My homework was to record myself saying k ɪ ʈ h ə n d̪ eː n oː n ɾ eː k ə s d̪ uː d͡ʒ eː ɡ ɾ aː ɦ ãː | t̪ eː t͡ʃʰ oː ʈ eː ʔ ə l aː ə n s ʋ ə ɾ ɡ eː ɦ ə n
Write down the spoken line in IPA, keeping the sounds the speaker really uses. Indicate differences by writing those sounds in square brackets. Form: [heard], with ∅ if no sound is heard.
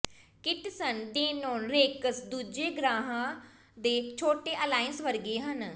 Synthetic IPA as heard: k ɪ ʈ [s] ə n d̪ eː n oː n ɾ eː k ə s d̪ uː d͡ʒ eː ɡ ɾ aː ɦ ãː | [d̪] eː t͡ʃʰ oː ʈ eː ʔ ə l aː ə n s ʋ ə ɾ ɡ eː ɦ ə n